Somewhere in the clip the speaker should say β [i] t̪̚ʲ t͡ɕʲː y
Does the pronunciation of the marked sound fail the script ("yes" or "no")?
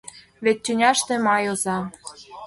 yes